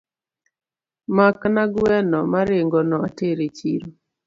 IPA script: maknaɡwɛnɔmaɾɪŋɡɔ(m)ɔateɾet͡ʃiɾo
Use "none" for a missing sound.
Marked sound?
n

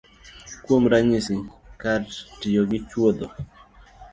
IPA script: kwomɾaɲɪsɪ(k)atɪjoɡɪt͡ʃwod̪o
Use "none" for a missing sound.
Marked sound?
k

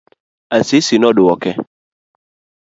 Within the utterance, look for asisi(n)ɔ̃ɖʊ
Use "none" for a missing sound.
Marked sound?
n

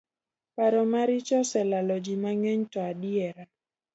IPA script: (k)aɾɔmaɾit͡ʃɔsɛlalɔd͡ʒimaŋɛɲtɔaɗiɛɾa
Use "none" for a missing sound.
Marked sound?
p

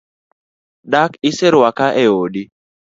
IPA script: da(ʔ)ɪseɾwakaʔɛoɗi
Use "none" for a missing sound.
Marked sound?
k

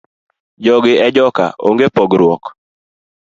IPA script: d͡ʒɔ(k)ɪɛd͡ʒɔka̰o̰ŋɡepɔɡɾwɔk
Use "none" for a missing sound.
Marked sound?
ɡ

